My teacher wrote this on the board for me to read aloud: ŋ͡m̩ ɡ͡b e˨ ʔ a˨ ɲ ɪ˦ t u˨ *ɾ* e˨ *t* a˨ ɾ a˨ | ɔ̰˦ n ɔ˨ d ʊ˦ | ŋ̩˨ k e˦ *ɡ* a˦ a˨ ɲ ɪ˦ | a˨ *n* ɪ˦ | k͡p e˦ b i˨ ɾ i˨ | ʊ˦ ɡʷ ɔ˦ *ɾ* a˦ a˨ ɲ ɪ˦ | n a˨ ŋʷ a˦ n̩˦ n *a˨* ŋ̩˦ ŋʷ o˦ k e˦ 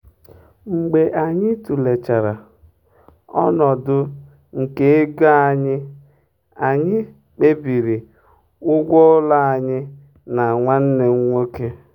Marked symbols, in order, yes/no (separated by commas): no, no, yes, no, no, no